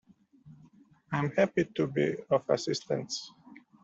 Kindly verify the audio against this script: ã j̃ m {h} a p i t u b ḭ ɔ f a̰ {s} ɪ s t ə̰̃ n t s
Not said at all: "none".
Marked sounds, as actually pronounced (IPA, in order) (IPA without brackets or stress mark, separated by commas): h, s